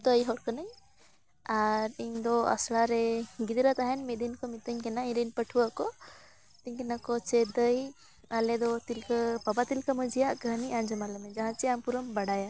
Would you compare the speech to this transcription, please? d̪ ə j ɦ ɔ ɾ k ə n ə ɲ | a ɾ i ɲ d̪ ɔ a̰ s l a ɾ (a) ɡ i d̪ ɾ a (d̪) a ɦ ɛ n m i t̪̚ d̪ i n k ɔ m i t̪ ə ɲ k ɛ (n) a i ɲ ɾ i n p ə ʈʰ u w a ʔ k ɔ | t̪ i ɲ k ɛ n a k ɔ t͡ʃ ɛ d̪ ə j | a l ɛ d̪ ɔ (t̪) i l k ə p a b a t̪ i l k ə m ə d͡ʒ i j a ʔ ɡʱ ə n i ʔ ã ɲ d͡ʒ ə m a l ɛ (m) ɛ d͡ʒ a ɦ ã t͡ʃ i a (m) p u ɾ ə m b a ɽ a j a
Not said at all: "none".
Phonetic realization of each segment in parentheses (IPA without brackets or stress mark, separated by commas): ɛ, t̪, n, t̪, m, m